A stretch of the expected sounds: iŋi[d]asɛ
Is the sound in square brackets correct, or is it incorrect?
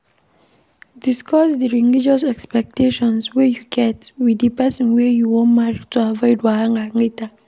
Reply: incorrect: d͡ʒ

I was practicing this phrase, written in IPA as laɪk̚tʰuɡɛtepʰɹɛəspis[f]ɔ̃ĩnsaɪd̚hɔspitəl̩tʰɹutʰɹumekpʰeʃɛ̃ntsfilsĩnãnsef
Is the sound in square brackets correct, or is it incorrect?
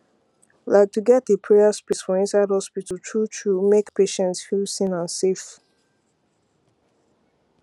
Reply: correct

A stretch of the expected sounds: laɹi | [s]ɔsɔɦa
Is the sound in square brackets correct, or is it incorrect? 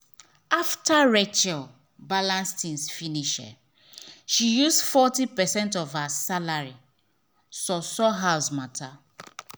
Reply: correct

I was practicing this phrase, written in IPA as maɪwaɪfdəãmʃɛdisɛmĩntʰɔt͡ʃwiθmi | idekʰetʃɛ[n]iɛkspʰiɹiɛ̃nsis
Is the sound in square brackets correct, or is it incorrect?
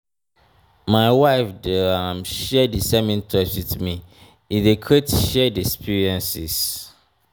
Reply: incorrect: d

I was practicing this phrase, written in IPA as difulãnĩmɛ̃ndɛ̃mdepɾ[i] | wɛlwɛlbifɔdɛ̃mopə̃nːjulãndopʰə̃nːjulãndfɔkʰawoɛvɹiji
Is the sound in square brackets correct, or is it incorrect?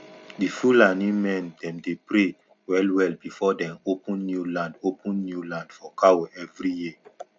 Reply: incorrect: e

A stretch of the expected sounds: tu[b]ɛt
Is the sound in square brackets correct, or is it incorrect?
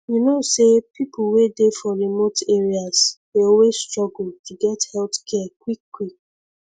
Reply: incorrect: ɡ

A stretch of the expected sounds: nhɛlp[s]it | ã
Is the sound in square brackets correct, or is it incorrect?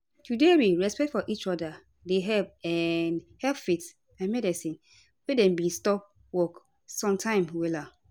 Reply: incorrect: f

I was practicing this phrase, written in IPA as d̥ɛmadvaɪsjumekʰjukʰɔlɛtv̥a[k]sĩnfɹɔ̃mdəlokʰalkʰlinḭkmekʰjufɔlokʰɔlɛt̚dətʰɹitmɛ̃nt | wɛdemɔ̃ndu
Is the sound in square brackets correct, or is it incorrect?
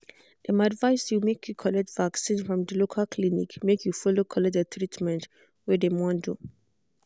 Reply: correct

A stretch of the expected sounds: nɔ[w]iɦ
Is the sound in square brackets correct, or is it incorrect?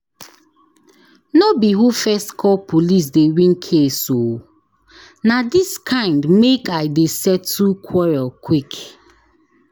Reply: incorrect: b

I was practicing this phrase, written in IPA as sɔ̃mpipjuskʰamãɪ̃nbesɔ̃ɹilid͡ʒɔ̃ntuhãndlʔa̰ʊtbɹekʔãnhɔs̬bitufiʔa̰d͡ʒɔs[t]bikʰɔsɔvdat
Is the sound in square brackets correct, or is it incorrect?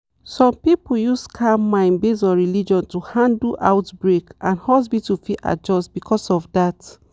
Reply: correct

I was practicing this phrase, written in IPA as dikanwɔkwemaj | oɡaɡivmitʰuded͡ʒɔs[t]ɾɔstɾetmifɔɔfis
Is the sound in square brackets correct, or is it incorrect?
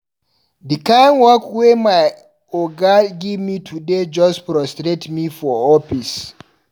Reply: incorrect: p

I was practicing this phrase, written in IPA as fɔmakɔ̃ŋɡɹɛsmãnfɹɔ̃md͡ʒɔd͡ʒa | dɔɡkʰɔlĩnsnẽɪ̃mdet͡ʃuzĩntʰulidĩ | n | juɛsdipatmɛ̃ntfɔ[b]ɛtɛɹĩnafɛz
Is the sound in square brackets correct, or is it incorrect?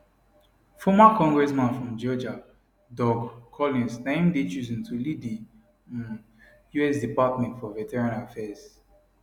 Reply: incorrect: v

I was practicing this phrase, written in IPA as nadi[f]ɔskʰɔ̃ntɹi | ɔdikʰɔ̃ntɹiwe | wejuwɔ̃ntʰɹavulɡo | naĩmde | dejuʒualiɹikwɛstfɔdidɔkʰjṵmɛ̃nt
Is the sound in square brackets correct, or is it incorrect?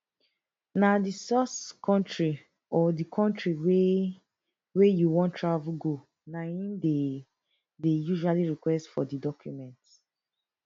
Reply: incorrect: s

